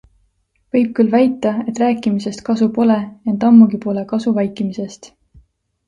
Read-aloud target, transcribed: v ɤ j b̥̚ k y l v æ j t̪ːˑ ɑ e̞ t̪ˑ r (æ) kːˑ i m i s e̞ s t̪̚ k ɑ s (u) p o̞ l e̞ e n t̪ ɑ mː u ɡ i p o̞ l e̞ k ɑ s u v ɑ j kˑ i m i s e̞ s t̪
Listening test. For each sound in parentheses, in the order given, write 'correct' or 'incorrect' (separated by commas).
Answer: incorrect, correct